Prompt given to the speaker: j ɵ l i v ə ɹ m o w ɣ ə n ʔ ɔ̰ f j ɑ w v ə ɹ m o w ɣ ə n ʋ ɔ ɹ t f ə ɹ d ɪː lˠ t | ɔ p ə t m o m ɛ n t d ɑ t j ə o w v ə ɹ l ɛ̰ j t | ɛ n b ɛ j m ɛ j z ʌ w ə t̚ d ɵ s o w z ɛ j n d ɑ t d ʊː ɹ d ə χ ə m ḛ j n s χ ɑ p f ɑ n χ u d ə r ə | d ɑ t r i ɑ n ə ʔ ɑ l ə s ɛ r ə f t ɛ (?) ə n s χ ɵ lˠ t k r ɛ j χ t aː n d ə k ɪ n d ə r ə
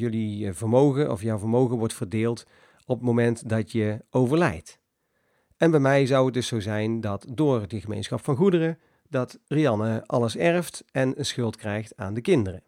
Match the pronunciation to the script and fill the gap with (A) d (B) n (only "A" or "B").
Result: B